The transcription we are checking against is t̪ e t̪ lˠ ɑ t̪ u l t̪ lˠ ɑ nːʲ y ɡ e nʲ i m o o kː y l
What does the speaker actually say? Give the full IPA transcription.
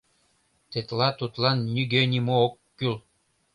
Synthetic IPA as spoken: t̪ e t̪ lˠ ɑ t̪ u t̪ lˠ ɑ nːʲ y ɡ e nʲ i m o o kː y l